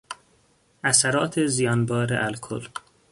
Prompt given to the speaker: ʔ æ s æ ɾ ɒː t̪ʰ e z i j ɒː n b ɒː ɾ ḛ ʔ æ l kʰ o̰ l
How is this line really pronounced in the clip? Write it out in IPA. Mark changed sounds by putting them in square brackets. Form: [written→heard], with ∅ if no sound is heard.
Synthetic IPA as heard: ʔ æ s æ ɾ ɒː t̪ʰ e z i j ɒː n b ɒː ɾ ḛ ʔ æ l kʰ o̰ l